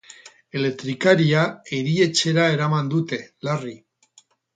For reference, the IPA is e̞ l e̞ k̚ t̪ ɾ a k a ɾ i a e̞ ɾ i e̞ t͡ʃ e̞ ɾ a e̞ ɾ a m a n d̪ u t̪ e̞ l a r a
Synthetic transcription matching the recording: e̞ l e̞ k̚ t̪ ɾ i k a ɾ i a e̞ ɾ i e̞ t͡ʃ e̞ ɾ a e̞ ɾ a m a n d̪ u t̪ e̞ l a r i